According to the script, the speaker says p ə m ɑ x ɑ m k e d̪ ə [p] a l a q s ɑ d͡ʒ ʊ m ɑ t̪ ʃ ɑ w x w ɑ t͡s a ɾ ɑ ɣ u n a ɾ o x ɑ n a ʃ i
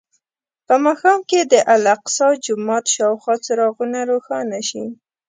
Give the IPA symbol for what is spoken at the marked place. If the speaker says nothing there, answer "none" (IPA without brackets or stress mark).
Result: ʔ